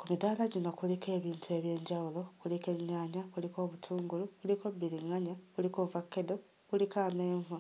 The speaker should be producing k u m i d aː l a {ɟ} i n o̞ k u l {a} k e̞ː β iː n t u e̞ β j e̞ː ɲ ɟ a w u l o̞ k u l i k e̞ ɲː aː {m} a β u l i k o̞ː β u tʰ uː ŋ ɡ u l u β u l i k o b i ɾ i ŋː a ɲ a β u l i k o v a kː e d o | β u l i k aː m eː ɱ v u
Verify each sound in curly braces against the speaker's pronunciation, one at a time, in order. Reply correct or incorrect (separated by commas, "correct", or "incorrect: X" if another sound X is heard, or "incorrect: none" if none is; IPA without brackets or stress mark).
correct, incorrect: i, incorrect: ɲ